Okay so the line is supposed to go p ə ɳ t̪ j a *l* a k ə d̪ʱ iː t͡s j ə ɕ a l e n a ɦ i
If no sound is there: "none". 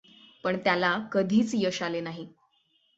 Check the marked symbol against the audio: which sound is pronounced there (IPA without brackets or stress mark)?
l